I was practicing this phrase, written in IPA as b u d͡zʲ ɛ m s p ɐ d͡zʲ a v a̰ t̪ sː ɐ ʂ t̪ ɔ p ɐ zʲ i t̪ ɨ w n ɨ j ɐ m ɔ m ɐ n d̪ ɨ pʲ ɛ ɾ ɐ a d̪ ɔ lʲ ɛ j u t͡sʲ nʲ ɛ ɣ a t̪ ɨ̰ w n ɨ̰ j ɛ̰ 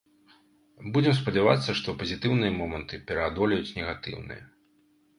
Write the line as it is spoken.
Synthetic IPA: b u d͡zʲ ɛ m s p ɐ d͡zʲ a v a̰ t̪ sː ɐ ʂ t̪ ɔ p ɐ zʲ i t̪ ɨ w n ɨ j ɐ m ɔ m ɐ n t̪ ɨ pʲ ɛ ɾ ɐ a d̪ ɔ lʲ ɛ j u t͡sʲ nʲ ɛ ɣ a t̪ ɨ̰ w n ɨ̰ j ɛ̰